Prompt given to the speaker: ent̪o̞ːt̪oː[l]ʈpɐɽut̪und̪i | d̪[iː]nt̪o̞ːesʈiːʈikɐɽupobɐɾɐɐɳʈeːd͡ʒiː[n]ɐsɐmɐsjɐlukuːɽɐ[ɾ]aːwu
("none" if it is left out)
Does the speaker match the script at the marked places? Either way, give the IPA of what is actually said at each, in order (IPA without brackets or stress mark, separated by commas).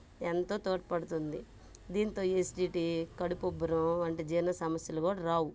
none, iː, n, ɾ